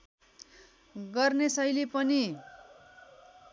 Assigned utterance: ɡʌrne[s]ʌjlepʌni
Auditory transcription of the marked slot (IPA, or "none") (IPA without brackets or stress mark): s